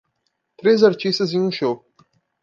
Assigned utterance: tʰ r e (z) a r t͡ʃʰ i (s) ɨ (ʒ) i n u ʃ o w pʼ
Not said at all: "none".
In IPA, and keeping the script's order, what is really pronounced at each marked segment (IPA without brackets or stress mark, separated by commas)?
z, s, z